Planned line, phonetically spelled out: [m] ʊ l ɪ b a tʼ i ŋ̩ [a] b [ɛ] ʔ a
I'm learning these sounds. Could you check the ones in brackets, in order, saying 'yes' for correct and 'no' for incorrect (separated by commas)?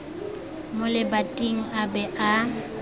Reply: yes, yes, yes